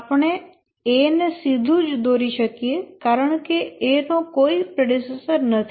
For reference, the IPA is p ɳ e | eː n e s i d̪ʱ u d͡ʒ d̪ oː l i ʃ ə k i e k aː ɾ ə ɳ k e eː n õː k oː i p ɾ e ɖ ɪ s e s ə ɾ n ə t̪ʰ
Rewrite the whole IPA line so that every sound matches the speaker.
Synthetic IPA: p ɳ e | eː n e s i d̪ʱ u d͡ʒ d̪ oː ɾ i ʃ ə k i e k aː ɾ ə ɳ k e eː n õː k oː i p ɾ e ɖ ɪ s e s ə ɾ n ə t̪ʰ